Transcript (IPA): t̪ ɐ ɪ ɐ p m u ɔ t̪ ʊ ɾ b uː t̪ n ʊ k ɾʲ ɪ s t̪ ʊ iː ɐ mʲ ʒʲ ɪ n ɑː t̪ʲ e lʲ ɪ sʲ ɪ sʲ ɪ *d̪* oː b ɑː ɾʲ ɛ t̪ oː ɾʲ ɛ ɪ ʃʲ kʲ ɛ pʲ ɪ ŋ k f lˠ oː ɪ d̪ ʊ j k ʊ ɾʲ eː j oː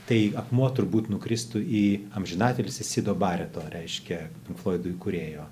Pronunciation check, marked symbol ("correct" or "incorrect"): correct